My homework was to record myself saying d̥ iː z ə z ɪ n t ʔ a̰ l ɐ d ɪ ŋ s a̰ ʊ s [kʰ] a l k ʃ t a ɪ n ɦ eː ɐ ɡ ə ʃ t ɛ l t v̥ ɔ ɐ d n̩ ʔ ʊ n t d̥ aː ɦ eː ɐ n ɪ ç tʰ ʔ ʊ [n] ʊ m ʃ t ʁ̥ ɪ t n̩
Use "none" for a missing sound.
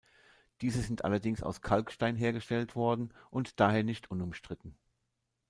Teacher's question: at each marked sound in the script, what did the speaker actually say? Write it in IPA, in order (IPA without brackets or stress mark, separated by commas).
kʰ, n